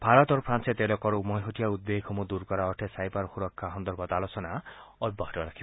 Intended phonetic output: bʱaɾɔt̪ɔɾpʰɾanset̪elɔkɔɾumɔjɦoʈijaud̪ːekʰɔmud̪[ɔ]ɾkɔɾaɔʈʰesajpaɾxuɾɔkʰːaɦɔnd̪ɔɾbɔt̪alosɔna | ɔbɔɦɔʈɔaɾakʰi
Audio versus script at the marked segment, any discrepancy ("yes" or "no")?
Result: yes